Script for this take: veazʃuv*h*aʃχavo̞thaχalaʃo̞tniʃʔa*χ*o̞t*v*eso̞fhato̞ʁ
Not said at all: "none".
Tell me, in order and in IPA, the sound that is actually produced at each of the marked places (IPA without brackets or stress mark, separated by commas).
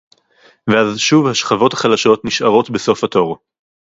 h, ʁ, b